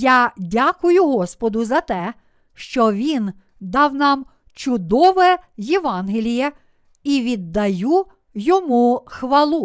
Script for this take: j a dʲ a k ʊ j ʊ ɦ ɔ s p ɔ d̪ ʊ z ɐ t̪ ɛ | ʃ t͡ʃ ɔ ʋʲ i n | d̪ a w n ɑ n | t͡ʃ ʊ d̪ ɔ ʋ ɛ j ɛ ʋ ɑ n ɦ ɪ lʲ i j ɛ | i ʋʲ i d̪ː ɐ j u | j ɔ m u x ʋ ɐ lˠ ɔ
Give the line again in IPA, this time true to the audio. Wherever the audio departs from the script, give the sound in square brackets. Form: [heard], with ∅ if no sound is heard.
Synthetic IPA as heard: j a dʲ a k ʊ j ʊ ɦ ɔ s p ɔ d̪ ʊ z ɐ t̪ ɛ | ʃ t͡ʃ ɔ ʋʲ i n | d̪ [ɑ] w n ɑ [m] | t͡ʃ ʊ d̪ ɔ ʋ ɛ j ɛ ʋ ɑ n ɦ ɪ lʲ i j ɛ | i ʋʲ i d̪ː ɐ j u | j ɔ m u x ʋ ɐ lˠ [u]